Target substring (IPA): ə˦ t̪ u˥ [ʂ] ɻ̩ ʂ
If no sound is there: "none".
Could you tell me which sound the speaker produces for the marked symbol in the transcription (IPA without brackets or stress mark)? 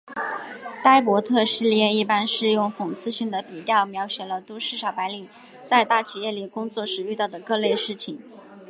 ʂ